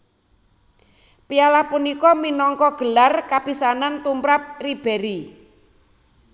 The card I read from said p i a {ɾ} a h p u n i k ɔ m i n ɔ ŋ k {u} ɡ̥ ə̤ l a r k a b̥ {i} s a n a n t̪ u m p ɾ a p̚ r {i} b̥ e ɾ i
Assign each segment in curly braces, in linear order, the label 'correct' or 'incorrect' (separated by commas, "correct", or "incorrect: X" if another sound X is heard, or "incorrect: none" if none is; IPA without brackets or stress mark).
incorrect: l, incorrect: ɔ, correct, correct